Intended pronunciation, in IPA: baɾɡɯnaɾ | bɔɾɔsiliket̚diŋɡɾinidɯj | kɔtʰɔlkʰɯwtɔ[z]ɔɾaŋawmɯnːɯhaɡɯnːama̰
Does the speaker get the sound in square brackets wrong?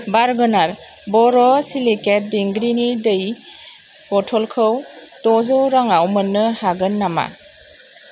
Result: no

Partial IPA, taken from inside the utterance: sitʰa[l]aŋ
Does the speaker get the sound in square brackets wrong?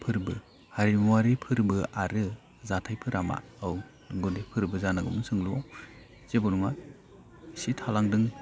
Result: no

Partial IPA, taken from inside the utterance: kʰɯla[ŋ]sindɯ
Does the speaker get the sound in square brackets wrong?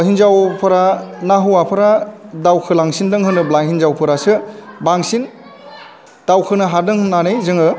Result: no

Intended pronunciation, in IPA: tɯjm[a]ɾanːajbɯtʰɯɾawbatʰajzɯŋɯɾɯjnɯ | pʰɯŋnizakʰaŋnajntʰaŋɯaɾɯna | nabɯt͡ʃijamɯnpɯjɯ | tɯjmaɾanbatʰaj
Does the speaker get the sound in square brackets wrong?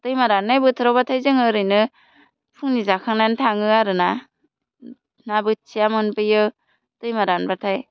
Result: no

